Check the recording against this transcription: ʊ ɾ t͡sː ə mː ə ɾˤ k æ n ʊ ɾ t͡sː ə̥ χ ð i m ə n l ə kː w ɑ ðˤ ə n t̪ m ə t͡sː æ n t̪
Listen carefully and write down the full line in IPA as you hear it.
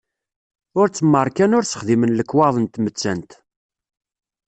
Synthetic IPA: ʊ ɾ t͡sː ə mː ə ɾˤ k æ n ʊ ɾ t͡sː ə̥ χ ð i m ə n l ə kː w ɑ ðˤ ə n t̪ m ə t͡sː æ n t̪